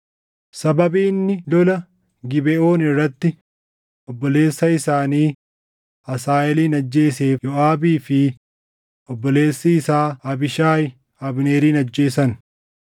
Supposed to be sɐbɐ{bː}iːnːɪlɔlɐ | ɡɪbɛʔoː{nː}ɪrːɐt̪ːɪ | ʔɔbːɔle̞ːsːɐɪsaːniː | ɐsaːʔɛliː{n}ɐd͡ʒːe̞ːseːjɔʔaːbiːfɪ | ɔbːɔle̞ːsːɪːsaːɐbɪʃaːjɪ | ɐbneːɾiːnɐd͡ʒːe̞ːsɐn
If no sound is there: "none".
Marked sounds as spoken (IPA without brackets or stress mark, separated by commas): b, n, n